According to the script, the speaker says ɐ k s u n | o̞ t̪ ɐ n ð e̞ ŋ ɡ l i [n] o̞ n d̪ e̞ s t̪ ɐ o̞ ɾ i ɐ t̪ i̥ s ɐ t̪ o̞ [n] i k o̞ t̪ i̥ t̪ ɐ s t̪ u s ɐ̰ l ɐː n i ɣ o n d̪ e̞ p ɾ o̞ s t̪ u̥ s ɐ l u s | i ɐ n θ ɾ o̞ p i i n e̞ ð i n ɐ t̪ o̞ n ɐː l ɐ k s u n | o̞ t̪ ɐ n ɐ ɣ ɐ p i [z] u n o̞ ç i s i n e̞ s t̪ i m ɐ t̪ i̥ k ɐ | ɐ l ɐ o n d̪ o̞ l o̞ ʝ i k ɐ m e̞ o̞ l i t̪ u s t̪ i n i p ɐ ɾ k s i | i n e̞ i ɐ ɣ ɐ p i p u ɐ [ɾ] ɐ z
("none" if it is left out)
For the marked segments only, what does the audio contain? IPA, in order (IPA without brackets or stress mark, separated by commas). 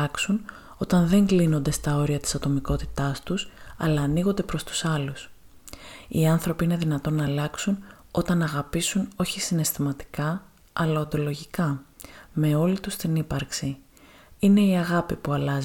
n, m, s, l